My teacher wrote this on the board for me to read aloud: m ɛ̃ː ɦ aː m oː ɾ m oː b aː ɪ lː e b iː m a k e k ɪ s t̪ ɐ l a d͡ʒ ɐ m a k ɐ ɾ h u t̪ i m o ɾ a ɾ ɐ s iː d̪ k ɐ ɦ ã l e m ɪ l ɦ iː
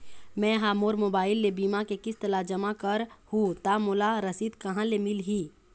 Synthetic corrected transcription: m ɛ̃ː ɦ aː m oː ɾ m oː b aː ɪ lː e b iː m a k e k ɪ s t̪ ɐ l a d͡ʒ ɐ m a k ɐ ɾ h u t̪ a m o l a ɾ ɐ s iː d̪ k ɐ ɦ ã l e m ɪ l ɦ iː